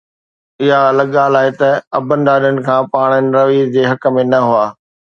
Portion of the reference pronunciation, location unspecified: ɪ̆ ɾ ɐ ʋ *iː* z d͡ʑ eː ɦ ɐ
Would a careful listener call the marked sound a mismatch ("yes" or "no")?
no